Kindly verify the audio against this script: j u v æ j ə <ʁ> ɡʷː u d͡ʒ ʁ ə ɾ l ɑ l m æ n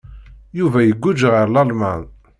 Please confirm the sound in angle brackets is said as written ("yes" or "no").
no